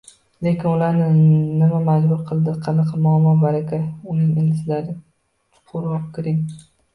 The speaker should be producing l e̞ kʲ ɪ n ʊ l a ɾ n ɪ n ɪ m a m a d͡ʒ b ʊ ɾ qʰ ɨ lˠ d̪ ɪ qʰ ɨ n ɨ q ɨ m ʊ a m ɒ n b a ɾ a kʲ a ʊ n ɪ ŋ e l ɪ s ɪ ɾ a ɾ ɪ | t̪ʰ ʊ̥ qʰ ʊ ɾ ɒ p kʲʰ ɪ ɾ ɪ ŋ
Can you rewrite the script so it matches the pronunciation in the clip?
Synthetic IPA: l e̞ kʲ ɪ n ʊ l a ɾ n ɪ n ɪ m a m a d͡ʒ b ʊ ɾ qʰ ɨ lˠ d̪ ɪ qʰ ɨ n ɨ q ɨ m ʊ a m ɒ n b a ɾ a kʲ a ʊ n ɪ ŋ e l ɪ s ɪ l a ɾ ɪ | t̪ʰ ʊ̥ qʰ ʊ ɾ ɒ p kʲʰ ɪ ɾ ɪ ŋ